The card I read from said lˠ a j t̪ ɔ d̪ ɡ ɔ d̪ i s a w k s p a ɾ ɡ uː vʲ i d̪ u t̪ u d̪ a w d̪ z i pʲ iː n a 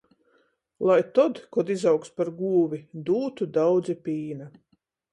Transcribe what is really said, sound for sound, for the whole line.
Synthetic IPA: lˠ a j t̪ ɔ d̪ k ɔ d̪ i z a w k s p a ɾ ɡ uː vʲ i d̪ uː t̪ u d̪ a w d̪ z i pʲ iː n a

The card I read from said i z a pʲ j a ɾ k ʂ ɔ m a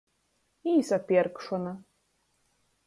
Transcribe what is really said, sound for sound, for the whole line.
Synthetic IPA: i s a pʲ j ɛ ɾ k ʂ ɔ n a

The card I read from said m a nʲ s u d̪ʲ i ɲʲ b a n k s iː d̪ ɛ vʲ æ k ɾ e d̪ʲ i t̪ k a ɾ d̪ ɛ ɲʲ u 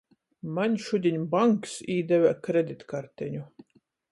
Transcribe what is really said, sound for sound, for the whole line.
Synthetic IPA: m a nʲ ʃ u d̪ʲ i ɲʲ b a ŋ k s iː d̪ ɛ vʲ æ k ɾ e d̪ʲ i t̪ k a ɾ t̪ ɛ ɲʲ u

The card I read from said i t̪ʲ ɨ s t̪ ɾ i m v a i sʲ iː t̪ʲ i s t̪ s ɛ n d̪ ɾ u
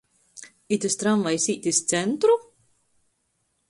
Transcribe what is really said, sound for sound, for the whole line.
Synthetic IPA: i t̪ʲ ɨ s t̪ ɾ a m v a j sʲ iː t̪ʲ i s t̪ s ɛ n t̪ ɾ u

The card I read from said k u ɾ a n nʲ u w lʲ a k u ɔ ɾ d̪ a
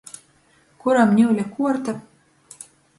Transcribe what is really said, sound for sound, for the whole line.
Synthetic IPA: k u ɾ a m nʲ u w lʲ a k u ɔ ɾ t̪ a

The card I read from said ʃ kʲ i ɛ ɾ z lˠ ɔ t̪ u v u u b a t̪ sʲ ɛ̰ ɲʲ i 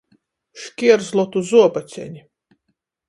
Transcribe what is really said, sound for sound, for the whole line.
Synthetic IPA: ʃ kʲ i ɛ ɾ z lˠ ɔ t̪ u z u ɔ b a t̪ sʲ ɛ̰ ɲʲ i

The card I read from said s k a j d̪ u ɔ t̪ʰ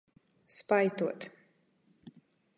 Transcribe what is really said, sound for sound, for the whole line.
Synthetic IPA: s p a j t̪ u ɔ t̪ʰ

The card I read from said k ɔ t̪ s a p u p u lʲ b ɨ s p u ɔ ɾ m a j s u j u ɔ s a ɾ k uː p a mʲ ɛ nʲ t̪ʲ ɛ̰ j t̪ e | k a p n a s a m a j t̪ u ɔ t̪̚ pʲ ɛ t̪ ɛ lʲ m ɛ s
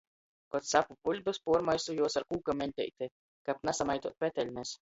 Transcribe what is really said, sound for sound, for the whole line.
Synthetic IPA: k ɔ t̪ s a p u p u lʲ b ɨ s p u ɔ ɾ m a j s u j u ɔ s a ɾ k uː k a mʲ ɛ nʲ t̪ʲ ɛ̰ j t̪ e | k a p n a s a m a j t̪ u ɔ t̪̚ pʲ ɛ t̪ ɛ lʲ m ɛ s

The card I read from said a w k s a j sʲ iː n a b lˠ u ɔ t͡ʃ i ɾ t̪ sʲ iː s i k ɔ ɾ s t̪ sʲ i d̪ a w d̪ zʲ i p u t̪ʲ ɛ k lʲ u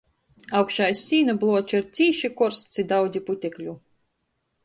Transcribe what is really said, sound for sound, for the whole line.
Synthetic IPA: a w k ʃ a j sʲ iː n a b lˠ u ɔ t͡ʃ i ɾ t̪ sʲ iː ʃ i k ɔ ɾ s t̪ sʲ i d̪ a w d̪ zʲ i p u t̪ʲ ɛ k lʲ u

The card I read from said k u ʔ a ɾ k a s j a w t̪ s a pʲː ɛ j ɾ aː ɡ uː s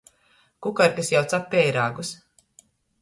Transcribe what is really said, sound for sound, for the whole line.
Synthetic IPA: k u k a ɾ k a s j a w t̪ s a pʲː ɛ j ɾ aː ɡ u s

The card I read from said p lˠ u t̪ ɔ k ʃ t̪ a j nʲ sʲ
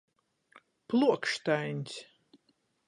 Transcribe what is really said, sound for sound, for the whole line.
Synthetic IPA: p lˠ u ɔ k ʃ t̪ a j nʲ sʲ

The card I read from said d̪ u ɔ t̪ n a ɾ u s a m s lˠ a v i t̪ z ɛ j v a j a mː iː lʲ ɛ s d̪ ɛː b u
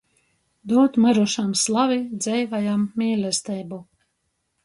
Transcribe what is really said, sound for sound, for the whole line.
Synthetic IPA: d̪ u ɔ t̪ m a ɾ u ʃ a m s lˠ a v i d̪ z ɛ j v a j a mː iː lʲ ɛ s t̪ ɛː b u

